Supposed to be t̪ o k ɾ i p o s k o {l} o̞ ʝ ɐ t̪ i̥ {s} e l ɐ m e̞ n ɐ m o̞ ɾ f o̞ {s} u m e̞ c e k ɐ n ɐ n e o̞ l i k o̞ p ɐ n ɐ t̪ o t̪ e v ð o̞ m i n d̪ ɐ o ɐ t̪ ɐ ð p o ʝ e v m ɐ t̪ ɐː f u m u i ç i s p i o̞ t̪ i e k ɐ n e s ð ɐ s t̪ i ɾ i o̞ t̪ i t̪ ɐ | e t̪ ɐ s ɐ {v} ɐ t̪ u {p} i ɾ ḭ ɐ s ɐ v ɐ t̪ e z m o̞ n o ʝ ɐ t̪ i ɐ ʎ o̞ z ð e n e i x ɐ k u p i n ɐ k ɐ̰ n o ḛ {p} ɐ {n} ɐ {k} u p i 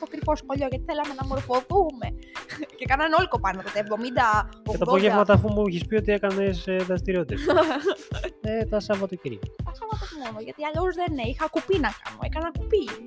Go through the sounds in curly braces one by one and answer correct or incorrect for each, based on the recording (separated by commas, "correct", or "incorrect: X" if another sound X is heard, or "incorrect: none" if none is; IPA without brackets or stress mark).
incorrect: ʎ, incorrect: θ, incorrect: θ, correct, incorrect: c, incorrect: k, correct, correct